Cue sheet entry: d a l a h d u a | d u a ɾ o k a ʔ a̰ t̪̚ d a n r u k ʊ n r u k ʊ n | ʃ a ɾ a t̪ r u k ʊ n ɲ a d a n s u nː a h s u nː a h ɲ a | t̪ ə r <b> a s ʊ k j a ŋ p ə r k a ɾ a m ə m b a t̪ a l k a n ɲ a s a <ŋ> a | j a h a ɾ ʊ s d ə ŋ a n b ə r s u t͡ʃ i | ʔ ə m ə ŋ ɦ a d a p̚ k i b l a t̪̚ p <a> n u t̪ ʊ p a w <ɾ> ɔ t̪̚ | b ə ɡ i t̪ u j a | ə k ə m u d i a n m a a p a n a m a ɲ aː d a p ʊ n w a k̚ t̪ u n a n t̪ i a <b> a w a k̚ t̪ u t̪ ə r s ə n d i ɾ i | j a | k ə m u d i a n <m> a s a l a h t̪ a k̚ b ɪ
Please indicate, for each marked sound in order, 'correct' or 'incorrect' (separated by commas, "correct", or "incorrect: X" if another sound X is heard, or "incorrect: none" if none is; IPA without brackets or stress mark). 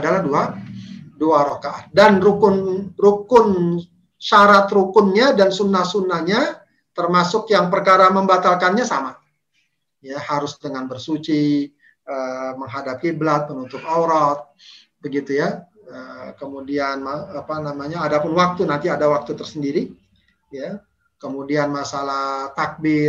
incorrect: m, incorrect: m, incorrect: ə, correct, incorrect: d, correct